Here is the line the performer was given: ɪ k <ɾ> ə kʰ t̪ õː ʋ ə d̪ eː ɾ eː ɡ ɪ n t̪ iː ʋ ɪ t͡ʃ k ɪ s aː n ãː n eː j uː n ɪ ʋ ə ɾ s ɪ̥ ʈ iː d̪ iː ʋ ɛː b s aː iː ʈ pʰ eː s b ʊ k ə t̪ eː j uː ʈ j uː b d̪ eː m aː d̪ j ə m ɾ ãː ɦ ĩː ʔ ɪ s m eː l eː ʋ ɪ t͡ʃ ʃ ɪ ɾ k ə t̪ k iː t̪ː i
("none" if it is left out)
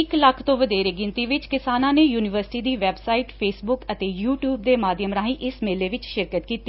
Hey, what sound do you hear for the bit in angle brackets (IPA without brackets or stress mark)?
l